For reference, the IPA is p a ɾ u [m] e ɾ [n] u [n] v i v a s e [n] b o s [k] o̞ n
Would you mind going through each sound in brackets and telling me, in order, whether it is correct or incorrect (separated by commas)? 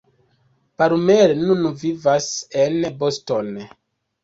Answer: correct, correct, correct, correct, incorrect